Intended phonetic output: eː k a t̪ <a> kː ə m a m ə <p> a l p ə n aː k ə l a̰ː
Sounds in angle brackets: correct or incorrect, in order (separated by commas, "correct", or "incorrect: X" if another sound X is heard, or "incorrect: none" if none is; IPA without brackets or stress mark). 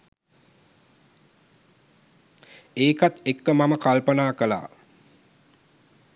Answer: incorrect: e, incorrect: k